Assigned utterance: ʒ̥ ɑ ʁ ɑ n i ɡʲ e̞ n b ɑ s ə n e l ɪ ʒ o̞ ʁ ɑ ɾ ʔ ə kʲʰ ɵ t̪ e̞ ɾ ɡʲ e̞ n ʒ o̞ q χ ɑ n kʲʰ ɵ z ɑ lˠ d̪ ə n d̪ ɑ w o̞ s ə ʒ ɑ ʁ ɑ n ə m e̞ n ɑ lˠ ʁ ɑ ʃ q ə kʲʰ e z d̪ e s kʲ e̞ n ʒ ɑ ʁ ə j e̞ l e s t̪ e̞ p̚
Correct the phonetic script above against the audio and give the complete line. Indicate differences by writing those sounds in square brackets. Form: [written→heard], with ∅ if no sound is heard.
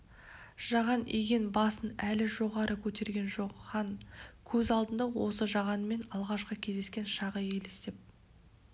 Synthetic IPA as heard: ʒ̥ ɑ ʁ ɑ n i ɡʲ e̞ n b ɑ s ə n [e→æ] l ɪ ʒ o̞ ʁ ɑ ɾ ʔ ə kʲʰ ɵ t̪ e̞ ɾ ɡʲ e̞ n ʒ o̞ q χ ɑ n kʲʰ ɵ z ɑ lˠ d̪ ə n d̪ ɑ w o̞ s ə ʒ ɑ ʁ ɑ n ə m e̞ n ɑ lˠ ʁ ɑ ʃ q ə kʲʰ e z d̪ e s kʲ e̞ n [ʒ→ʃ] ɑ ʁ ə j e̞ l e s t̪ e̞ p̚